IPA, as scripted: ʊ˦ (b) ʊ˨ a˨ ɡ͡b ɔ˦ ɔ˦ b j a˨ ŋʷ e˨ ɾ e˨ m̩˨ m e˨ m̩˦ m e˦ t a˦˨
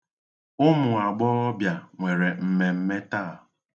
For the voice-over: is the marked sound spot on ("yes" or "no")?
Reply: no